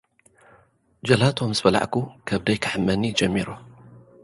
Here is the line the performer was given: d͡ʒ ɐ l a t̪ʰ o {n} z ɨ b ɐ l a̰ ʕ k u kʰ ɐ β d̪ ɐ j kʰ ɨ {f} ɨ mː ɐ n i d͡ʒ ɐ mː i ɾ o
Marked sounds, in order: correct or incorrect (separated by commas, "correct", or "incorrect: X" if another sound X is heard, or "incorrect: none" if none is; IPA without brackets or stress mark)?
incorrect: m, incorrect: ħ